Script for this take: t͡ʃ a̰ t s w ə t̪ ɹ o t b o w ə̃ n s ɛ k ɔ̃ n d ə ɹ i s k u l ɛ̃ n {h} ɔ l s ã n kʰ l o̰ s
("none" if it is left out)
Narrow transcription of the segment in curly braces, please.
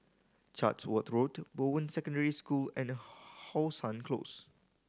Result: h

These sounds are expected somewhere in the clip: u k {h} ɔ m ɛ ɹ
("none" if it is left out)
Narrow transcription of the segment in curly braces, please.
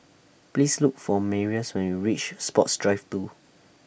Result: f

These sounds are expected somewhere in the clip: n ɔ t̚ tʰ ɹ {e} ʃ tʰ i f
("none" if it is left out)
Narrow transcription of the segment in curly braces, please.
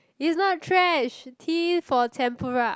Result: ɛ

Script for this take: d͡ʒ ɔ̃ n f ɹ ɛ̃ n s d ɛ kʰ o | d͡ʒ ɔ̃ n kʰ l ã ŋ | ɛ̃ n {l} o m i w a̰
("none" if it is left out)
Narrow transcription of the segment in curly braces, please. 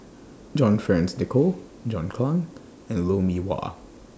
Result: l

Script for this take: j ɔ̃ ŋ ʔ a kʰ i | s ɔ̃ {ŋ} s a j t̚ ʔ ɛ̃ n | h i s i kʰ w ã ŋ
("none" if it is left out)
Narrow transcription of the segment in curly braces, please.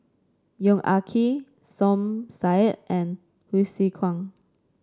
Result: m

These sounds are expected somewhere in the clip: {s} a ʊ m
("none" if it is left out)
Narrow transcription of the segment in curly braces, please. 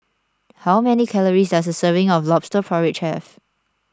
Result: h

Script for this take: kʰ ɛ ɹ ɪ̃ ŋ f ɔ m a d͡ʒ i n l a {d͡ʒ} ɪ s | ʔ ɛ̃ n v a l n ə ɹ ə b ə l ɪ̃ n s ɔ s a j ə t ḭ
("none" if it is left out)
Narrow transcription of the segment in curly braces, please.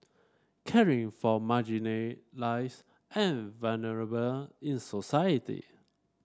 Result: none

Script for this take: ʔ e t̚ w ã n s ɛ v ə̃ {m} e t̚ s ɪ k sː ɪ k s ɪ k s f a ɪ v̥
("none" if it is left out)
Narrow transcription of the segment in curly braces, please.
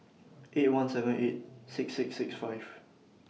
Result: n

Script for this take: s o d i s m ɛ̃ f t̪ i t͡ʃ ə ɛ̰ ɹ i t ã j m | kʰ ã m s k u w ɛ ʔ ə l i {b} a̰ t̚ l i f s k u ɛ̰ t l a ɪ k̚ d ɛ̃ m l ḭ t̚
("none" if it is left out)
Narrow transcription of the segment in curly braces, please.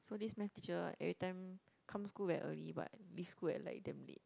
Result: b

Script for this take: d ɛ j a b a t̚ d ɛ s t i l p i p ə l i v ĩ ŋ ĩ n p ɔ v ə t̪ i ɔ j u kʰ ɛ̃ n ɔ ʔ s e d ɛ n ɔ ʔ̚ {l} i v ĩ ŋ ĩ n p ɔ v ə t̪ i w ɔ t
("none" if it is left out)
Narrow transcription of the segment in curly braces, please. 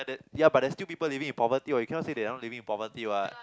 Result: l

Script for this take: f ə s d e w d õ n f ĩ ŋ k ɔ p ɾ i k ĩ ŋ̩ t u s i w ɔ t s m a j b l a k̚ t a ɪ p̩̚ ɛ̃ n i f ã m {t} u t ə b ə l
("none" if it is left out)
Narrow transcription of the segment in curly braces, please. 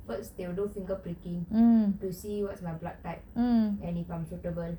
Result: s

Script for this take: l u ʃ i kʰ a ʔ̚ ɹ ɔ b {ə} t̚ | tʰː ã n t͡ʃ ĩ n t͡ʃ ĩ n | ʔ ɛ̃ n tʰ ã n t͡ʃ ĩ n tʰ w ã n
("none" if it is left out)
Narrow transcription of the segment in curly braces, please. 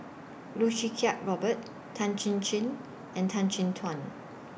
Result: ə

